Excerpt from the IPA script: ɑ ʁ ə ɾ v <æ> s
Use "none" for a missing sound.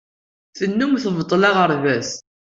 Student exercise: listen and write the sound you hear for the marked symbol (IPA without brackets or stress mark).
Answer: æ